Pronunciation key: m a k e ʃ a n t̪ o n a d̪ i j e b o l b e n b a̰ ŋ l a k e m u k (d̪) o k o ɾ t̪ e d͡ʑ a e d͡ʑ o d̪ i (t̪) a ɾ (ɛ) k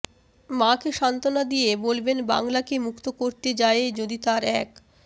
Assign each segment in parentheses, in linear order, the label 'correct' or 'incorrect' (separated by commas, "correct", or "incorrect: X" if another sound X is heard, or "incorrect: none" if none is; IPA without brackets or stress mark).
incorrect: t̪, correct, correct